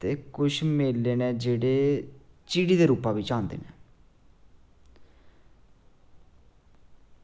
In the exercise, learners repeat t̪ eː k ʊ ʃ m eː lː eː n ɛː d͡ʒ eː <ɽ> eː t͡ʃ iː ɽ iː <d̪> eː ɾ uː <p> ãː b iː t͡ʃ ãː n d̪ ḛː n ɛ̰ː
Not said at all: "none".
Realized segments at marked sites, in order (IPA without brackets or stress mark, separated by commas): ɽ, d̪, p